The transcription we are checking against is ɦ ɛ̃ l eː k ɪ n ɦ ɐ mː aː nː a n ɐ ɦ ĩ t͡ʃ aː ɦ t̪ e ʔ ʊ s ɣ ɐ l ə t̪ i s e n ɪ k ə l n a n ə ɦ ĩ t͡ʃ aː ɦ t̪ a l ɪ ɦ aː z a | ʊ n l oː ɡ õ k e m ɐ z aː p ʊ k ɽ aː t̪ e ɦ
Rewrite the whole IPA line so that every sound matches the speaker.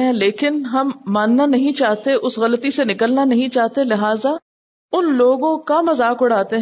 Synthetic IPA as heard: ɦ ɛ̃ l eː k ɪ n ɦ ɐ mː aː nː a n ɐ ɦ ĩ t͡ʃ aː ɦ t̪ e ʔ ʊ s ɣ ɐ l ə t̪ i s e n ɪ k ə l n a n ɐ ɦ ĩ t͡ʃ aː ɦ t̪ e l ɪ ɦ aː z a | ʊ n l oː ɡ õ k a m ɐ z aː k ʊ ɽ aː t̪ e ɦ